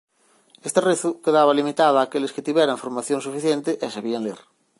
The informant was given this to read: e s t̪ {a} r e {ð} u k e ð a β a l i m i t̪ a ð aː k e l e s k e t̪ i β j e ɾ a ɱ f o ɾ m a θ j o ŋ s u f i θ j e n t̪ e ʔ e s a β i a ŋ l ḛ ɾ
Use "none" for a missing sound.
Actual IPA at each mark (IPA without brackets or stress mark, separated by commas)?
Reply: e, θ